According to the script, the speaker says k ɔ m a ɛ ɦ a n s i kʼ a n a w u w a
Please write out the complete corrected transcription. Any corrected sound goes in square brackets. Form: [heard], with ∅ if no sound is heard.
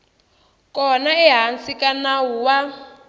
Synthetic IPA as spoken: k ɔ [n] a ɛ ɦ a n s i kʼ a n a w u w a

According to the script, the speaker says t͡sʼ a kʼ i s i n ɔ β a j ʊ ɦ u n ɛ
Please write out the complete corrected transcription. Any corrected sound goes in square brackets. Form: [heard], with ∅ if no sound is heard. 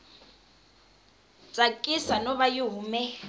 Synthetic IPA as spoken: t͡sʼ a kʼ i s [a] n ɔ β a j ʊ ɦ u [m] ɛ

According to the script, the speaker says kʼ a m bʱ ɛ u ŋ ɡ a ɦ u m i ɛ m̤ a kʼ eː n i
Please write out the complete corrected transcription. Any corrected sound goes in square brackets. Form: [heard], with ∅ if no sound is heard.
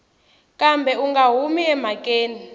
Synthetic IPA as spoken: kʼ a m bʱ ɛ u ŋ ɡ a ɦ u m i ɛ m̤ a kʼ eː n i

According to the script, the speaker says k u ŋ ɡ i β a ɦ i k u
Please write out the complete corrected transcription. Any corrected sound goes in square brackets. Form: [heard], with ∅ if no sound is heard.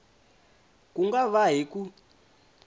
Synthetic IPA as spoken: k u ŋ ɡ [a] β a ɦ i k u

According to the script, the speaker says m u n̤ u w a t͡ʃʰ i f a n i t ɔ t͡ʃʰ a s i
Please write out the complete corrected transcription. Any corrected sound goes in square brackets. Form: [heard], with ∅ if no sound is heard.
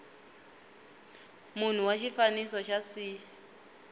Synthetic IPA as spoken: m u n̤ u w a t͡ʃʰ i f a n i [s] ɔ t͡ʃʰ a s i

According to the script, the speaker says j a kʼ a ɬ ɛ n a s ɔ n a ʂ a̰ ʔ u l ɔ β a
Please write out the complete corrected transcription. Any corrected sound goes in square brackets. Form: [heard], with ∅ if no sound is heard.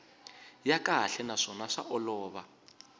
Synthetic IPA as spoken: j a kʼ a ɬ ɛ n a [ʂ] ɔ n a ʂ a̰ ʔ [ɔ] l [ɔː] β a

